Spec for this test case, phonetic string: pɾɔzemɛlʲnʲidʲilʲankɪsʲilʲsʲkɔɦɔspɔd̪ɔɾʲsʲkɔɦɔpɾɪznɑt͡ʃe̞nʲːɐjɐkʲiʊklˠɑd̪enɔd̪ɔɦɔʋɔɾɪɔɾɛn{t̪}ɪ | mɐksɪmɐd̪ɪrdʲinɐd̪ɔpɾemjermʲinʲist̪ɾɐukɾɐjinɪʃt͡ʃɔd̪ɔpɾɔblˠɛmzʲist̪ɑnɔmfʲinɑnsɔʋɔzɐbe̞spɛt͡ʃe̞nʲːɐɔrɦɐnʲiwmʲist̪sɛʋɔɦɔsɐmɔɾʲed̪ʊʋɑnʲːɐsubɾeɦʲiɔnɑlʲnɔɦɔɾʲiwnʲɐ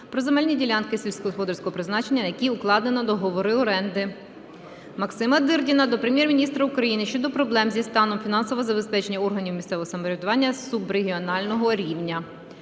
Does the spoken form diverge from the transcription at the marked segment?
yes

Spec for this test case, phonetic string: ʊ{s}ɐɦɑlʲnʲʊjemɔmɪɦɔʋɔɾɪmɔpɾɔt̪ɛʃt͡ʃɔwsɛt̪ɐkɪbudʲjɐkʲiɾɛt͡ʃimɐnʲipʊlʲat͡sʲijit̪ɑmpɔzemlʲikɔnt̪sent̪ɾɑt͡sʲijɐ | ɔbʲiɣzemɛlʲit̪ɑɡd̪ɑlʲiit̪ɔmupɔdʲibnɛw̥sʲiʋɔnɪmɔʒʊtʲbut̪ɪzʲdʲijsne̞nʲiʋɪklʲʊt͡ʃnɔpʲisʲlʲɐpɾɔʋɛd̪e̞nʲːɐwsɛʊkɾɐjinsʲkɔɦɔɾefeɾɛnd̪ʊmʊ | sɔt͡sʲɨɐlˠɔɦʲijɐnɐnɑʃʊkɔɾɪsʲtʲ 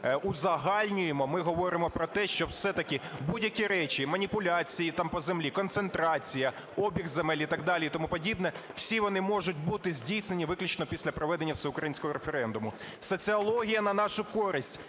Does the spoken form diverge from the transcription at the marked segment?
yes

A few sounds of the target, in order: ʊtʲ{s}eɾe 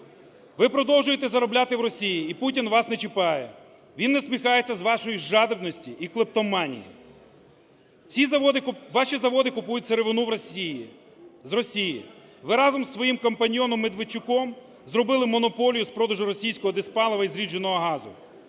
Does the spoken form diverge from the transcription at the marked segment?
no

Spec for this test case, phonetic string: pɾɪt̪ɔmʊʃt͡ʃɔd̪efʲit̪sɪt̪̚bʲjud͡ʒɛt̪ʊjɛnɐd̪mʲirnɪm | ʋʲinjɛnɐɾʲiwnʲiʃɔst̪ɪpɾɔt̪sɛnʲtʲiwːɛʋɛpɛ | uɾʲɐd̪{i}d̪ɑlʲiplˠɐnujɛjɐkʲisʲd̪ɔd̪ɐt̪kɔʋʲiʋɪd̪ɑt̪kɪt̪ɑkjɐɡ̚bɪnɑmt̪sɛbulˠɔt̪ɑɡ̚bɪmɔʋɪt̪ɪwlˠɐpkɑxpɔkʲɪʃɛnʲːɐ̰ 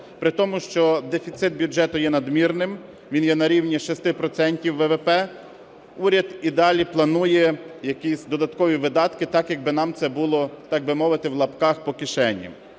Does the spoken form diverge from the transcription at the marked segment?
no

